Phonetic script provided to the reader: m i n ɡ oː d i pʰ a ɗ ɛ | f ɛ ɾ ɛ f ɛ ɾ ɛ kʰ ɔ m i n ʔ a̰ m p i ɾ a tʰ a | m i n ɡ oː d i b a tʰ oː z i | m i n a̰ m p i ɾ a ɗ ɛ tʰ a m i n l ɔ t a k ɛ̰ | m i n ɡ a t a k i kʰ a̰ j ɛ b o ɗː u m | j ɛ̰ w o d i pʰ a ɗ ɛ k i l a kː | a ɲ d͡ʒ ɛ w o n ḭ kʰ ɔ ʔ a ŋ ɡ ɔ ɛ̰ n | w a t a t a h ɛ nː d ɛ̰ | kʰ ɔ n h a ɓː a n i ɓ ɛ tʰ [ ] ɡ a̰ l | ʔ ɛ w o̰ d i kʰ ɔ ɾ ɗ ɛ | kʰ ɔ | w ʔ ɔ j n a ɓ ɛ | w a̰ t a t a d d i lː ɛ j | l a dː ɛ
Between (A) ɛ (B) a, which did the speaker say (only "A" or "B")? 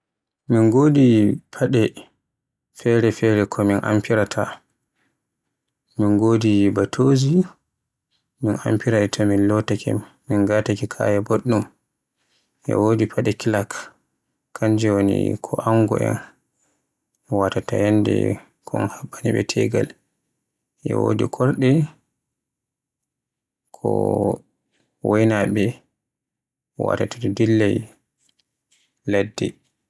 A